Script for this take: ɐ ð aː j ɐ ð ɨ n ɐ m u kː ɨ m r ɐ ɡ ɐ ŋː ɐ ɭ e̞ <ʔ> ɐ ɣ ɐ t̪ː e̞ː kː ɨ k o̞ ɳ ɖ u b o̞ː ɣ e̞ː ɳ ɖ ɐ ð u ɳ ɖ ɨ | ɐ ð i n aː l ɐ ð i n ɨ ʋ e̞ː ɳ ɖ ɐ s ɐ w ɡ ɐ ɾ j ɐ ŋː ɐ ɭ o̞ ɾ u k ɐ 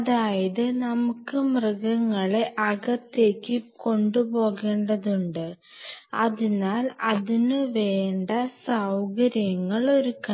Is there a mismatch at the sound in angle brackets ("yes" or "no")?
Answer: no